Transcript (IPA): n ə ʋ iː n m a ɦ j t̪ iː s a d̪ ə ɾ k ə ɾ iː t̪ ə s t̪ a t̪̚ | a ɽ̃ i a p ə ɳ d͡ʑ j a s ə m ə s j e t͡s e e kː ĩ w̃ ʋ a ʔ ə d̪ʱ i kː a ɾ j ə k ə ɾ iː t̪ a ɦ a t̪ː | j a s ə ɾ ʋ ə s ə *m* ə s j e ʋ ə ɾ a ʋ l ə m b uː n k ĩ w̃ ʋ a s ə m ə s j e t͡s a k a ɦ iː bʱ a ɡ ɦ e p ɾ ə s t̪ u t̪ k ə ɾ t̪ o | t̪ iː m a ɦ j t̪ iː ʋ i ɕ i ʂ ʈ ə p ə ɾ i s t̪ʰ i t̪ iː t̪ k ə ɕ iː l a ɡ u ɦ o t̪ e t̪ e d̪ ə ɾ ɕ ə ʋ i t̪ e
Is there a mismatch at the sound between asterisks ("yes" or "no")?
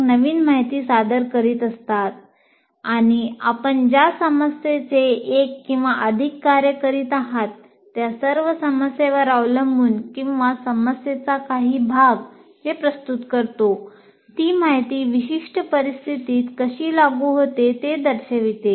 no